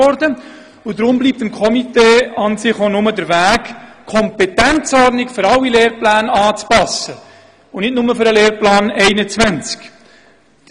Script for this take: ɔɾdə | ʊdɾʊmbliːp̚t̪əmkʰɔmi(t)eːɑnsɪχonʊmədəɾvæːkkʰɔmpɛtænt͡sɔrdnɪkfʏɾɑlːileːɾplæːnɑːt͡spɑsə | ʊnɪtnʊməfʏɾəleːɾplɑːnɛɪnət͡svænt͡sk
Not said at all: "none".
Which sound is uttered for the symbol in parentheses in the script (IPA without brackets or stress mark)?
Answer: t